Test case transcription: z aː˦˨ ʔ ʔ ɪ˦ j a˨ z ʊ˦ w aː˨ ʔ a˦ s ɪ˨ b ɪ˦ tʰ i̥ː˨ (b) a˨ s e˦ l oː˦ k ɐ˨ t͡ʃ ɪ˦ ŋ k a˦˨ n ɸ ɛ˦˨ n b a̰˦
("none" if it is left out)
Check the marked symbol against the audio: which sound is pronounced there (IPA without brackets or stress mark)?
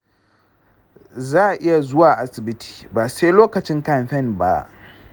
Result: b